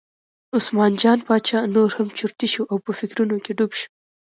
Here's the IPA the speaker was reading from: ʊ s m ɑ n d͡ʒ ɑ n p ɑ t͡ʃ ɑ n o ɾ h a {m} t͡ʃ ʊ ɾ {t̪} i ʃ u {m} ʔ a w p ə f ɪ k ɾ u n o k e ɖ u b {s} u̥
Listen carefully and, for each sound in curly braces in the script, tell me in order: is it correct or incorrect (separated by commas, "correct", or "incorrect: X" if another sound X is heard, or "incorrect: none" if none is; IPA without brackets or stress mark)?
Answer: correct, correct, incorrect: none, incorrect: ʃ